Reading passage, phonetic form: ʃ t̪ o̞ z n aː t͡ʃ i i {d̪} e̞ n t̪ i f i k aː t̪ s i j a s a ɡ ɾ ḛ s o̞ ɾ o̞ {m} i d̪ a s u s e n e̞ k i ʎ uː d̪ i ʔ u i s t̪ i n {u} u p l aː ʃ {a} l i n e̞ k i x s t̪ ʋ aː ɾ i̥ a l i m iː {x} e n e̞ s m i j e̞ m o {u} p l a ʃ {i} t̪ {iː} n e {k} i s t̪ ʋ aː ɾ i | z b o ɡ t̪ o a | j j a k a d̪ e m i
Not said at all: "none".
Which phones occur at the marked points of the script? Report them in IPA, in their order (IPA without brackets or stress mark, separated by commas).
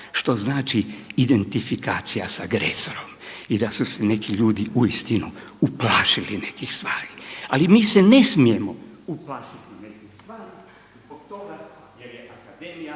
d̪, m, u, i, s, u, i, i, k